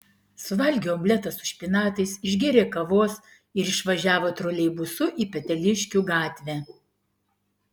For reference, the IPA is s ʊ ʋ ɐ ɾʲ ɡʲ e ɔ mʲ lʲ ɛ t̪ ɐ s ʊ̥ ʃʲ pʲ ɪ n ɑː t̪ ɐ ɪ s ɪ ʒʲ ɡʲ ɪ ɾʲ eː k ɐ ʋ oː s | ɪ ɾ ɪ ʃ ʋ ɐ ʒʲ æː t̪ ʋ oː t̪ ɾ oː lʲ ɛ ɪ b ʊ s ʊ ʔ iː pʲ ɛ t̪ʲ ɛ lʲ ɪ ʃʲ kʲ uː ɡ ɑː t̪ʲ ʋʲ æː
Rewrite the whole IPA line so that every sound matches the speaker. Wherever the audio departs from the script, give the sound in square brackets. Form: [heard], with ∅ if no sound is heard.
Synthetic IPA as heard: s ʊ ʋ ɐ [lʲ] ɡʲ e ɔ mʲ lʲ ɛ t̪ ɐ s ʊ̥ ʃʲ pʲ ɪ n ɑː t̪ ɐ ɪ s ɪ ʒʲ ɡʲ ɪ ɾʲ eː k ɐ ʋ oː s | ɪ ɾ ɪ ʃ ʋ ɐ ʒʲ æː [∅] ʋ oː t̪ ɾ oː lʲ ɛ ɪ b ʊ s ʊ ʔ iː pʲ ɛ t̪ʲ ɛ lʲ ɪ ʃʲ kʲ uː ɡ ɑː t̪ʲ ʋʲ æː